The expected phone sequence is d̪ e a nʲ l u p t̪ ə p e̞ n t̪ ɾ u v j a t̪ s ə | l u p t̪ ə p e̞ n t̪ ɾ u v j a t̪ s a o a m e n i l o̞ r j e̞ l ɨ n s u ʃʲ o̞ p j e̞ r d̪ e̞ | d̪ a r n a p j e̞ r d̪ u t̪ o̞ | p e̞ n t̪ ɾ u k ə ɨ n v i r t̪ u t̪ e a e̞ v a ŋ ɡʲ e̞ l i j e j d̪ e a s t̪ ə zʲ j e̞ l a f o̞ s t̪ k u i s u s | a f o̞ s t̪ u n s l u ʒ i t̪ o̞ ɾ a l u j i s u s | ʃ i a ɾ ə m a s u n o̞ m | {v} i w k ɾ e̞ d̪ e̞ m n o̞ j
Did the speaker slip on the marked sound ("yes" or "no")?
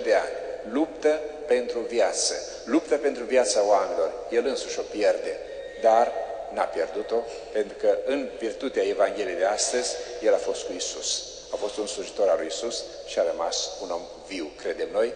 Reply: no